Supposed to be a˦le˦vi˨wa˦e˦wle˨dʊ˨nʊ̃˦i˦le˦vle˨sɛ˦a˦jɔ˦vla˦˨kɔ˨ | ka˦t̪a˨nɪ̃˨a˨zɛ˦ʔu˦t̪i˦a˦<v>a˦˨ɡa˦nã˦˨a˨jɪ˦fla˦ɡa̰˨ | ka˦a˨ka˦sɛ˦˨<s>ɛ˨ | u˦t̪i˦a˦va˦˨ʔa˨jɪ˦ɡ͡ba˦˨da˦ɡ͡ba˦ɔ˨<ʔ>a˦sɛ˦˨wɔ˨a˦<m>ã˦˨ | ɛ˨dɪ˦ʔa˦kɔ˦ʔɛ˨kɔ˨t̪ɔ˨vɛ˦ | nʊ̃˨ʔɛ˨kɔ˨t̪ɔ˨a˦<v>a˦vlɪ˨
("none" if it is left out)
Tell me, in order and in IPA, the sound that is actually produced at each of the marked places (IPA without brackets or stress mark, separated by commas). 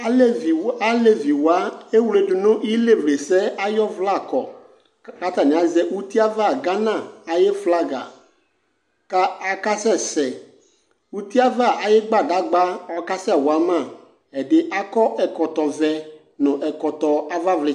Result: v, s, k, m, v